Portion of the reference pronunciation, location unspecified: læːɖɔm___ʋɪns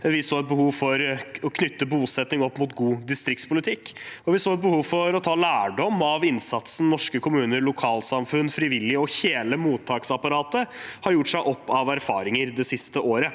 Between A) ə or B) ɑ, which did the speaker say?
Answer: B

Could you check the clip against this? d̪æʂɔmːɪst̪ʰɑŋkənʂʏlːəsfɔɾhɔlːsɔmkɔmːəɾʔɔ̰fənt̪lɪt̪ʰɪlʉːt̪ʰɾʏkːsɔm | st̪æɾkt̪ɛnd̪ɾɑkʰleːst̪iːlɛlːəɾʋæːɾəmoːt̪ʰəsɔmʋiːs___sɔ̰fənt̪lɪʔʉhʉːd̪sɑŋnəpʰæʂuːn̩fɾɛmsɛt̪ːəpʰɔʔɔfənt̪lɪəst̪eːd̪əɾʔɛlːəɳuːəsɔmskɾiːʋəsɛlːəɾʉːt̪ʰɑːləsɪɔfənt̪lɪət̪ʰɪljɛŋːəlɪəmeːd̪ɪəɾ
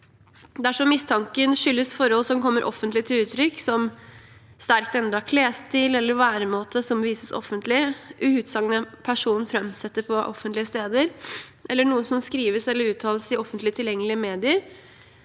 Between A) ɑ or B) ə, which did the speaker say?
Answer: B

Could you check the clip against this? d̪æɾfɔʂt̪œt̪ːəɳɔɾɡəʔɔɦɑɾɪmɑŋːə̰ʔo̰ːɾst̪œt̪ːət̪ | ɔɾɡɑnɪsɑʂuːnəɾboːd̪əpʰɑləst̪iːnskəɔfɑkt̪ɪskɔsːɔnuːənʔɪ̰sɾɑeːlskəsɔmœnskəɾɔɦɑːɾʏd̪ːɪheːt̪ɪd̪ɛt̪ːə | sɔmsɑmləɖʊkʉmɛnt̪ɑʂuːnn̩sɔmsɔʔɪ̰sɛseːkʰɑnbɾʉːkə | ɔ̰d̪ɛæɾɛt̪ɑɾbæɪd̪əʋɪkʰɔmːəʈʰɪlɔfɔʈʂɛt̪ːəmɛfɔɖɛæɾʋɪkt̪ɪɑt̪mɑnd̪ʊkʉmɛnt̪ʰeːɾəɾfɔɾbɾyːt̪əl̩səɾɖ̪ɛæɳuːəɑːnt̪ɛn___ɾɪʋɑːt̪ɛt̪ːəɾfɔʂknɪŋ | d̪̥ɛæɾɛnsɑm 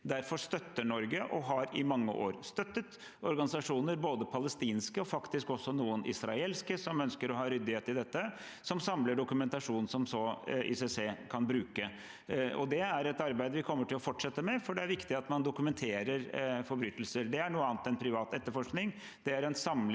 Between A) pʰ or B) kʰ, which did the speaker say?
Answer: A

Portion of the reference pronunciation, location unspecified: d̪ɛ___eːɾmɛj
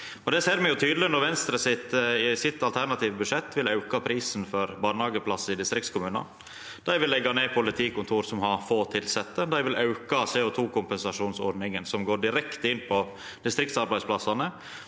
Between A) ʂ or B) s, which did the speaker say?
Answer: B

